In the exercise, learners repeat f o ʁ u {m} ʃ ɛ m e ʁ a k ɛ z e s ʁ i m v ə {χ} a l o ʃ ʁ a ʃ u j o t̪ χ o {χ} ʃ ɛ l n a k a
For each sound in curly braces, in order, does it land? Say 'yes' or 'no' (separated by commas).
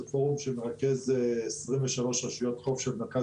yes, no, no